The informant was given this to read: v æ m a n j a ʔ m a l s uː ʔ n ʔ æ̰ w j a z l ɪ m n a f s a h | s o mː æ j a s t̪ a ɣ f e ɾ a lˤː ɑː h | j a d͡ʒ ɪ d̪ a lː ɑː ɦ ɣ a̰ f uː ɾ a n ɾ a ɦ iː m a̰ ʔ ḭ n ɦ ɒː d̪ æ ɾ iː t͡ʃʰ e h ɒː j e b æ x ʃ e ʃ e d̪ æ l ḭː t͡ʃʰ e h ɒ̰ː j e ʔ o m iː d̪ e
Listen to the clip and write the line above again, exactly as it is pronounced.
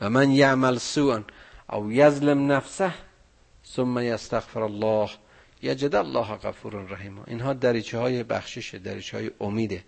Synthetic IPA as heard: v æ m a n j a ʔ m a l s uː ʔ n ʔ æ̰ w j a z l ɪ m n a f s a h | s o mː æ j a s t̪ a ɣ f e ɾ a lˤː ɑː h | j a d͡ʒ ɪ d̪ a lː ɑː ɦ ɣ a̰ f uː ɾ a n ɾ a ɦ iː m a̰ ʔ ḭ n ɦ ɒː d̪ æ ɾ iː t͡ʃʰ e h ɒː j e b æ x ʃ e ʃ e d̪ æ ɾ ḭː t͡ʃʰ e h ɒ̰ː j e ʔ o m iː d̪ e